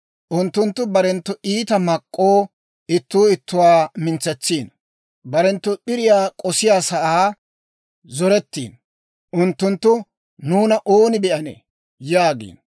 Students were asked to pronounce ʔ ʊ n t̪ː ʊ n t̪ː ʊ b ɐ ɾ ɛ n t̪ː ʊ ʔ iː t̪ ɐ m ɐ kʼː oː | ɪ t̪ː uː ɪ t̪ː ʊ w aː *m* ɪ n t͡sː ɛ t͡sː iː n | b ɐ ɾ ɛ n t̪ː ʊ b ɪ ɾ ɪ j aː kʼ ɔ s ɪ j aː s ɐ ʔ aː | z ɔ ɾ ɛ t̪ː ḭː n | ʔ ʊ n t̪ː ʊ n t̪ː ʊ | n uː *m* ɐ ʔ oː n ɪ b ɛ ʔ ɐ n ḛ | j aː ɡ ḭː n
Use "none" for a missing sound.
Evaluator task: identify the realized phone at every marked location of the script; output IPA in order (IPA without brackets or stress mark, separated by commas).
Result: m, n